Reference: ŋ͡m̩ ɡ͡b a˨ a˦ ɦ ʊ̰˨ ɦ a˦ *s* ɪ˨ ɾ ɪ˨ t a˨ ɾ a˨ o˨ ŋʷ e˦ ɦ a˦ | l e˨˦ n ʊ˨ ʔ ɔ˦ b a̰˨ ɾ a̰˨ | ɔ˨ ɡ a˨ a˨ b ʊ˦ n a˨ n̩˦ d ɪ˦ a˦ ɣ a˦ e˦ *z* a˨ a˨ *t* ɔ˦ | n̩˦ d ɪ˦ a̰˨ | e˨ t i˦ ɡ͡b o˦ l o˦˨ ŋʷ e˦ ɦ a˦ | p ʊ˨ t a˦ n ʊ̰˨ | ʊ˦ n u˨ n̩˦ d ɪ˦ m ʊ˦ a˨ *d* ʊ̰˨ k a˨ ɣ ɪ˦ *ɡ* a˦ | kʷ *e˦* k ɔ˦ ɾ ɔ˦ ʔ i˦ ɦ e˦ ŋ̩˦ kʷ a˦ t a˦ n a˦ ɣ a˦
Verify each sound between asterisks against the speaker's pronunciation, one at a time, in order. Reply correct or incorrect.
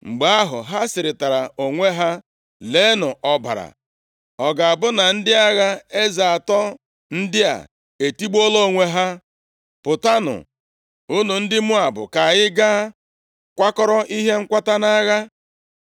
correct, correct, correct, incorrect, correct, incorrect

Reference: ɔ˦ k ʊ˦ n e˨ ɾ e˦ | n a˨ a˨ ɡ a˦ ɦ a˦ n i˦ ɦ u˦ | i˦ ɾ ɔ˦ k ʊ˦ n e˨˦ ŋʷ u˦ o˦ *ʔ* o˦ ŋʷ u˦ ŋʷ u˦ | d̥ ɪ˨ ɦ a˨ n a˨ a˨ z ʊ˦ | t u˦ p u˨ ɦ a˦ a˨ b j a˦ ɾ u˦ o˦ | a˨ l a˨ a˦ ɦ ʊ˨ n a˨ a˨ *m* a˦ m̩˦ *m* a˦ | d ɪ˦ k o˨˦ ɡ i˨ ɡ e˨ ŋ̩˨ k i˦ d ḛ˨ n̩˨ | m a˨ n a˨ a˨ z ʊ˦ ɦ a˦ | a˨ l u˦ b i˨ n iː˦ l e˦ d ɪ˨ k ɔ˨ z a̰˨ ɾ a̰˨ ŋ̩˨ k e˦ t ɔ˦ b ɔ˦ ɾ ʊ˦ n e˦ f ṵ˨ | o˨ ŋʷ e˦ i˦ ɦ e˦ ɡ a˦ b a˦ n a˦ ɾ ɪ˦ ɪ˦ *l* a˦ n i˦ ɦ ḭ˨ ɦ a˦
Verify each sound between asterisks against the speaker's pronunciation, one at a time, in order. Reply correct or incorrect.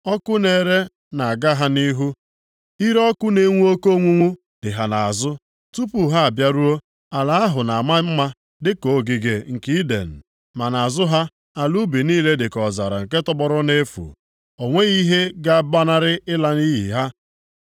incorrect, correct, correct, correct

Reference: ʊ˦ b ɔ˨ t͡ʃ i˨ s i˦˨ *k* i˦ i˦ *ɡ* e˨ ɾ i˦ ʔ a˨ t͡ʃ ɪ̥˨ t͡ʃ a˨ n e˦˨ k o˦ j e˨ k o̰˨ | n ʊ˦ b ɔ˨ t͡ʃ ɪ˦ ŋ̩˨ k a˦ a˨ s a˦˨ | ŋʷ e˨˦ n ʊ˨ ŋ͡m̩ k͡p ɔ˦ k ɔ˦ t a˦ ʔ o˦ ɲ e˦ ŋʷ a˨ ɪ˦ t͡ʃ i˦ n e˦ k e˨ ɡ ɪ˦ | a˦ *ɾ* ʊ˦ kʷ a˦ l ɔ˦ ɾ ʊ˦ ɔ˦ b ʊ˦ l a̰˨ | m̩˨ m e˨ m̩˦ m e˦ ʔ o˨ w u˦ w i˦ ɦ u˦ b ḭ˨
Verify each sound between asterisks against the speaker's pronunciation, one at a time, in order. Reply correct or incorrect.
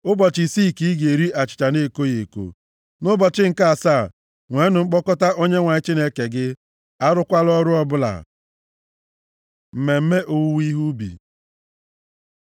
correct, correct, correct

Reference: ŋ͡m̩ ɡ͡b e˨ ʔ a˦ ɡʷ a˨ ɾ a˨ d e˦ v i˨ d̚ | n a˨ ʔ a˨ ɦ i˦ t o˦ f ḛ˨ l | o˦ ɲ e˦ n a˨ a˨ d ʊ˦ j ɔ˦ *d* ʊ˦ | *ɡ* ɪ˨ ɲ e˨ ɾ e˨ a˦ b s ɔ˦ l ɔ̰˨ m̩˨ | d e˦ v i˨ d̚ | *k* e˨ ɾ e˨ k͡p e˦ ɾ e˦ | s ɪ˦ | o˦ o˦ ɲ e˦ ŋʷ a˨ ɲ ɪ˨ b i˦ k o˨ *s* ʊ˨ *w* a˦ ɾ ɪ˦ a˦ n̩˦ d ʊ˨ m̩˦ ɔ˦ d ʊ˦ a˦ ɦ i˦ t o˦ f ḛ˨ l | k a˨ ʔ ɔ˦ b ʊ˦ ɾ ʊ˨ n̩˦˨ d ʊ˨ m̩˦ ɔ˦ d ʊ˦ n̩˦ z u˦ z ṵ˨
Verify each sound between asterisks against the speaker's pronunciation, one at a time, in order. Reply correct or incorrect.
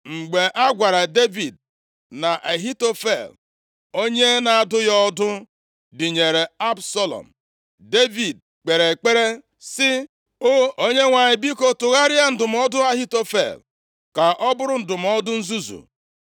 correct, incorrect, incorrect, incorrect, incorrect

